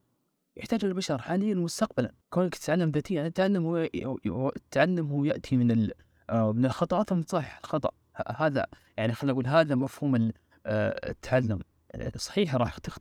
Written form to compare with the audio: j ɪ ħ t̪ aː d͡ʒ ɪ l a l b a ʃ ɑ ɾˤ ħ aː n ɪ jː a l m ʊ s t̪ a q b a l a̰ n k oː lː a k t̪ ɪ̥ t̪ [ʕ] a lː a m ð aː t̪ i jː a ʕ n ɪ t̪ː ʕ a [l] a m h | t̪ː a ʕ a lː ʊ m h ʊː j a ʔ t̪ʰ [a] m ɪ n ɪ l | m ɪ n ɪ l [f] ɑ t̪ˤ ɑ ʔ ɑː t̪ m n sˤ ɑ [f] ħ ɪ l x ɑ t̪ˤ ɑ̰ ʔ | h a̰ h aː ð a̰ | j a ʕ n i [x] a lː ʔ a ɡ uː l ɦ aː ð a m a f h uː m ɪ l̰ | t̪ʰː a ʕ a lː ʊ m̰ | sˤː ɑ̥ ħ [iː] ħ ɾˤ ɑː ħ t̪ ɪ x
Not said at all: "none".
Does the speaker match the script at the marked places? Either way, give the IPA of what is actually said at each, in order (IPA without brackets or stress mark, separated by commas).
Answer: ʕ, lː, i, x, ħ, x, iː